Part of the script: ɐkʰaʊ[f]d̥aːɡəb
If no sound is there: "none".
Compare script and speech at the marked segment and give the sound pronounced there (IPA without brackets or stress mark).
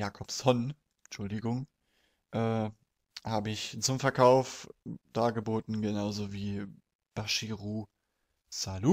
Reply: f